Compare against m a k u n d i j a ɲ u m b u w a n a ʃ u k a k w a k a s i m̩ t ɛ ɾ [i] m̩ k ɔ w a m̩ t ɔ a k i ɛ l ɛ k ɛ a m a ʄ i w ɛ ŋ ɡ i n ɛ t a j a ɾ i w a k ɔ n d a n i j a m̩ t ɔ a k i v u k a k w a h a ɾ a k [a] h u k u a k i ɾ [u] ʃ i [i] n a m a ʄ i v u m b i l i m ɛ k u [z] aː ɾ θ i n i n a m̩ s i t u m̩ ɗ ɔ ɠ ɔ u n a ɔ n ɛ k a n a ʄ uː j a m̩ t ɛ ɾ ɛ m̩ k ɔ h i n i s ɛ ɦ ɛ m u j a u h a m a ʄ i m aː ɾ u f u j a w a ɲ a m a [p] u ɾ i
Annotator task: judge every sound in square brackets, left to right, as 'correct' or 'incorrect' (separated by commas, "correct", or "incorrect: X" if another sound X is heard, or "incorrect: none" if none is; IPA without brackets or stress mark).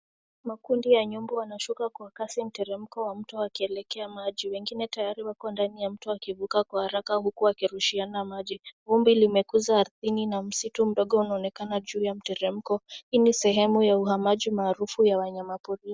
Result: incorrect: ɛ, correct, correct, incorrect: a, correct, correct